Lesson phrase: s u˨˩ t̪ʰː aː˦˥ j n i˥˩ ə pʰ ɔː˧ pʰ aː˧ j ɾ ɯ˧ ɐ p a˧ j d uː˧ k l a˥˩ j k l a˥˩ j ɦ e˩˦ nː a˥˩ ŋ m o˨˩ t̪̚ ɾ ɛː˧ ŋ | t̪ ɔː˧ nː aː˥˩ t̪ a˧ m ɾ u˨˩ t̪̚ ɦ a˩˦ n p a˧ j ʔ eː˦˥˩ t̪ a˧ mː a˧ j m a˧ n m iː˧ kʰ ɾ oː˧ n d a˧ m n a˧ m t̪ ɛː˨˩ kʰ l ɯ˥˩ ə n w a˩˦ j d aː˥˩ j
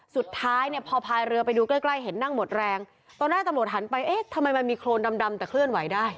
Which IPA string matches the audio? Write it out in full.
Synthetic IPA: s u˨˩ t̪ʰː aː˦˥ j n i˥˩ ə pʰ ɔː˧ pʰ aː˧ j ɾ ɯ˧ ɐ p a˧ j d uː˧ k l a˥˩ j k l a˥˩ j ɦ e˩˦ nː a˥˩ ŋ m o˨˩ t̪̚ ɾ ɛː˧ ŋ | t̪ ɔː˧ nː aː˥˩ t̪ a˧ m ɾ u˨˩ t̪̚ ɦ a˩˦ n p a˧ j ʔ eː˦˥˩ t̪ʰ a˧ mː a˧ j m a˧ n m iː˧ kʰ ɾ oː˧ n d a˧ m d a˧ m t̪ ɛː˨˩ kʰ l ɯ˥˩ ə n w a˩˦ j d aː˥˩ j